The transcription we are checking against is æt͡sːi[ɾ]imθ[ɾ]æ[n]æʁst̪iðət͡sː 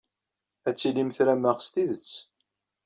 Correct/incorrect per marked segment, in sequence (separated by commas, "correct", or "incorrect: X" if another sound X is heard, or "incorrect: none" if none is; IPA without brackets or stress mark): incorrect: l, correct, incorrect: m